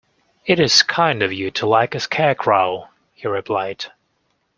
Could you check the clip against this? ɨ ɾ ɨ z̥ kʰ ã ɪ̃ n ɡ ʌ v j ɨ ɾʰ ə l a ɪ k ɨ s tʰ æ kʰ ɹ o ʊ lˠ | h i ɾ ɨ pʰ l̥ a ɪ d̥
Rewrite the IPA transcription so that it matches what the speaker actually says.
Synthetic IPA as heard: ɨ ɾ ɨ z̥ kʰ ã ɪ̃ n d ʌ v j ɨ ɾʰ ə l a ɪ k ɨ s kʰ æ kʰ ɹ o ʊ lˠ | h i ɹ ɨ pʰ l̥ a ɪ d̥